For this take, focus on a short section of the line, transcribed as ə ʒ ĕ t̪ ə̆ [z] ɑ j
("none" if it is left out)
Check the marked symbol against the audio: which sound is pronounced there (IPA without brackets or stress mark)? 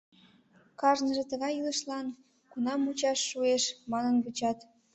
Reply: ɣ